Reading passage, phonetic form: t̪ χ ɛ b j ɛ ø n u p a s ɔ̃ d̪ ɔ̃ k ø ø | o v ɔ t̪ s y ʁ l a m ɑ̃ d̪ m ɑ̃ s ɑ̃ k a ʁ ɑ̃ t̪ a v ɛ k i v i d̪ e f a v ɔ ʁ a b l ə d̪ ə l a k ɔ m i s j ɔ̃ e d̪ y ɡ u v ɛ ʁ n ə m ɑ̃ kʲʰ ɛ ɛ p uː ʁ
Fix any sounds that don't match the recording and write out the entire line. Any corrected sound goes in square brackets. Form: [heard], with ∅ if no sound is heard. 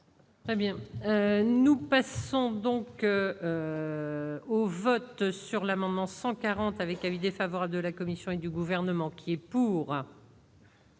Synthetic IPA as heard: t̪ χ ɛ b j [ɛ̃] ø n u p a s ɔ̃ d̪ ɔ̃ k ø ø | o v ɔ t̪ s y ʁ l a m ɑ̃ d̪ m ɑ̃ s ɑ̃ k a ʁ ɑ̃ t̪ a v ɛ k [a] v i d̪ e f a v ɔ ʁ a b l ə d̪ ə l a k ɔ m i s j ɔ̃ e d̪ y ɡ u v ɛ ʁ n ə m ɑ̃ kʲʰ [i] ɛ p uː ʁ

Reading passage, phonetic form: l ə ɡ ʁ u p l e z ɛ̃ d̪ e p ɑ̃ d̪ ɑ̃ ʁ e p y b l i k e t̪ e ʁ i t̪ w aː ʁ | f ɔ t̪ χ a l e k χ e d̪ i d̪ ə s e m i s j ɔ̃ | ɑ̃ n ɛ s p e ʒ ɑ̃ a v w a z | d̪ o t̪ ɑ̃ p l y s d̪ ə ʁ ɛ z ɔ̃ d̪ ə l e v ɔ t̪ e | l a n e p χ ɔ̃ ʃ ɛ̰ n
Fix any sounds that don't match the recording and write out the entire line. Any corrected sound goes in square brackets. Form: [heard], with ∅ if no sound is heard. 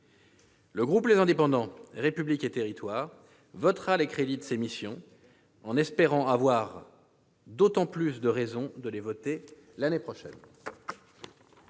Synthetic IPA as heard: l ə ɡ ʁ u p l e z ɛ̃ d̪ e p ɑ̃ d̪ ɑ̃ ʁ e p y b l i k e t̪ e ʁ i t̪ w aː ʁ | [v] ɔ t̪ χ a l e k χ e d̪ i d̪ ə s e m i s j ɔ̃ | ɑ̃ n ɛ s p e [ʁ] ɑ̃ a v w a [ʁ] | d̪ o t̪ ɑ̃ p l y s d̪ ə ʁ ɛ z ɔ̃ d̪ ə l e v ɔ t̪ e | l a n e p χ [ɔ] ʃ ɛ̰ n

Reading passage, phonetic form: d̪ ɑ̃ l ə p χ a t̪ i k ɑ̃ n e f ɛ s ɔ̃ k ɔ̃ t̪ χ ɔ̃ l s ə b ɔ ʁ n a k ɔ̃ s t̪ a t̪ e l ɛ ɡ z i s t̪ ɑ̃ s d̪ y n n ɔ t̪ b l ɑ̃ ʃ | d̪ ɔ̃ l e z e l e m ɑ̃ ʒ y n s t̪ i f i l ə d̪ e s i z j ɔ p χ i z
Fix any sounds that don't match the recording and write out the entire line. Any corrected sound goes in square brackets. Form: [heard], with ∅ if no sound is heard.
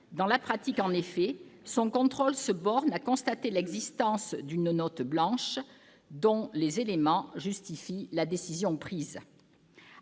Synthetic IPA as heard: d̪ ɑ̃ l [a] p χ a t̪ i k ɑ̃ n e f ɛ s ɔ̃ k ɔ̃ t̪ χ [ɔ] l s ə b ɔ ʁ n a k ɔ̃ s t̪ a t̪ e l ɛ ɡ z i s t̪ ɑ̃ s d̪ y n n ɔ t̪ b l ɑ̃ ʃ | d̪ ɔ̃ l e z e l e m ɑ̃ ʒ y [∅] s t̪ i f i l [a] d̪ e s i z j [ɔ̃] p χ i z

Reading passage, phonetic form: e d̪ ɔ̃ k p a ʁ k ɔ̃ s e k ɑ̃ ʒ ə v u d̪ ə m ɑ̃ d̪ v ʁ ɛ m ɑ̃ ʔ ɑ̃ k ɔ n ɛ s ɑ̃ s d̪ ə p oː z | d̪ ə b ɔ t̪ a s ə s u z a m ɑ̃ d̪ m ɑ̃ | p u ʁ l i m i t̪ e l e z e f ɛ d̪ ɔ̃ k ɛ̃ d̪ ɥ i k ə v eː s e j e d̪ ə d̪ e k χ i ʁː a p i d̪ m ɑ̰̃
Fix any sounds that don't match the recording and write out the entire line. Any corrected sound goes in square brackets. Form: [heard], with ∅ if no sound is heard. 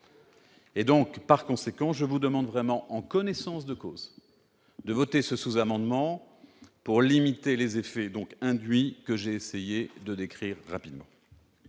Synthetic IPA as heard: e d̪ ɔ̃ k p a ʁ k ɔ̃ s e k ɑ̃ ʒ ə v u d̪ ə m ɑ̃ d̪ v ʁ ɛ m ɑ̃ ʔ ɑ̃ k ɔ n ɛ s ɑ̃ s d̪ ə [k] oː z | d̪ ə [v] ɔ t̪ [e] s ə s u z a m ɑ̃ d̪ m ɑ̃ | p u ʁ l i m i t̪ e l e z e f ɛ d̪ ɔ̃ k ɛ̃ d̪ ɥ i k ə [ʒ] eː s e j e d̪ ə d̪ e k χ i ʁː a p i d̪ m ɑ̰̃

